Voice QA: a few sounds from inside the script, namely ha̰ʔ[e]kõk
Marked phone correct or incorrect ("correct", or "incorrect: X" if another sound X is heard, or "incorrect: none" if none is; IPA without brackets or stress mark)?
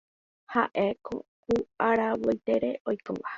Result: correct